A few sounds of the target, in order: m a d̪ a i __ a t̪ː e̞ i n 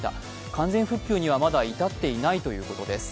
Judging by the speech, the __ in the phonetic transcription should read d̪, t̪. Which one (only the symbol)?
t̪